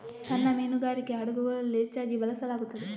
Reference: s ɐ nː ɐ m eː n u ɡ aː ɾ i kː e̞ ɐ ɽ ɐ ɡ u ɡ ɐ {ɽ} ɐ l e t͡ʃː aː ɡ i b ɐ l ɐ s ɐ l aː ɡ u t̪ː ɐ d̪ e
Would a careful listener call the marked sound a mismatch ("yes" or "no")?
yes